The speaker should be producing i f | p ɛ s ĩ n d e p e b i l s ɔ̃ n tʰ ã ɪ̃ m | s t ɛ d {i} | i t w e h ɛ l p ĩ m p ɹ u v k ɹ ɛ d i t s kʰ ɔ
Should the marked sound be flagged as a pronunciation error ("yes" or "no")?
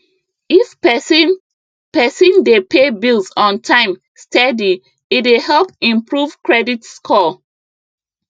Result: no